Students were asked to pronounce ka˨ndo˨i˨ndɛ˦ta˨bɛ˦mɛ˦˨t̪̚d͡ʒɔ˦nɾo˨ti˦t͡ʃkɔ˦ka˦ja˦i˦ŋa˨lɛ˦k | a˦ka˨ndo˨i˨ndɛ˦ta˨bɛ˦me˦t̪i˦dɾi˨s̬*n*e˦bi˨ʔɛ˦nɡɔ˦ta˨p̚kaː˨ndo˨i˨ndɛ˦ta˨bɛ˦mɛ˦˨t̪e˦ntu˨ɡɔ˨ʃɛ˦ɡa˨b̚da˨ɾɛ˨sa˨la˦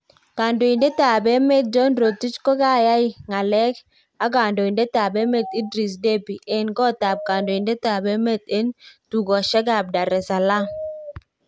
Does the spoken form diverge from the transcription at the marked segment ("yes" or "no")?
yes